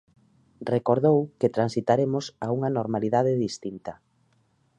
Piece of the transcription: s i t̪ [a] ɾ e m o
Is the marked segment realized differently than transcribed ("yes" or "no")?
no